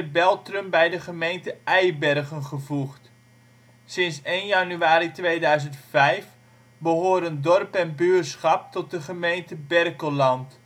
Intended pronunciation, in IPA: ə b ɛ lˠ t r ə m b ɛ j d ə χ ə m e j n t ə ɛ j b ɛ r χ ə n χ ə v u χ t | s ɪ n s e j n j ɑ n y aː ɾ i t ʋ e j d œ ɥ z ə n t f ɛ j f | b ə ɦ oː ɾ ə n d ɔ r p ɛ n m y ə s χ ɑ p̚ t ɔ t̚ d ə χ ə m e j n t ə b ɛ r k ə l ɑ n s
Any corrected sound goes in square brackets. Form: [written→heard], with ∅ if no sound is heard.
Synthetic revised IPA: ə b ɛ lˠ t r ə m b ɛ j d ə χ ə m e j n t ə ɛ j b ɛ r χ ə n χ ə v u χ t | s ɪ n s e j n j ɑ n y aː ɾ i t ʋ e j d œ ɥ z ə n t f ɛ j f | b ə ɦ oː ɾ ə n d ɔ r p ɛ n [m→b] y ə s χ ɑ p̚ t ɔ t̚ d ə χ ə m e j n t ə b ɛ r k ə l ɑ n [s→t]